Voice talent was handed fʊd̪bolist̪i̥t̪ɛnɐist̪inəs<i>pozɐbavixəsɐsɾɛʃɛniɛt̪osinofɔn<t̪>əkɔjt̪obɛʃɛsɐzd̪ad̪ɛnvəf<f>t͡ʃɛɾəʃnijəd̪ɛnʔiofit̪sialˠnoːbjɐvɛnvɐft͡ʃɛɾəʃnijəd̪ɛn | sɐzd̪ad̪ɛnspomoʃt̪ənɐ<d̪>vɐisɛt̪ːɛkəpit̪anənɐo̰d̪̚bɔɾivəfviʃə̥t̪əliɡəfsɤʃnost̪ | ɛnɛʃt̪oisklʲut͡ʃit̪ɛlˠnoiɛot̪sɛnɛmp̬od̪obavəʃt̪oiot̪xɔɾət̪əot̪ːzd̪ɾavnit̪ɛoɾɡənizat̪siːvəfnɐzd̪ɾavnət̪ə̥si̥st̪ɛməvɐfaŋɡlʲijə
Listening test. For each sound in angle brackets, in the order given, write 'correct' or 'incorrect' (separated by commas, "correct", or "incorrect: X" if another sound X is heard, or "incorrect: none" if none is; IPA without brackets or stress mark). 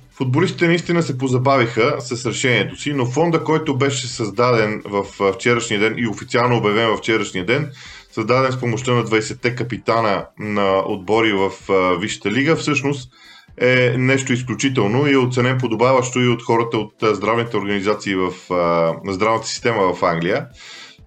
incorrect: ɛ, incorrect: d̪, correct, correct